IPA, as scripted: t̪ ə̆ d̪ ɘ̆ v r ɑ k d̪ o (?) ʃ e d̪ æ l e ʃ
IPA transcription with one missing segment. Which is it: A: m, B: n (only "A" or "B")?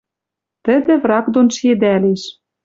B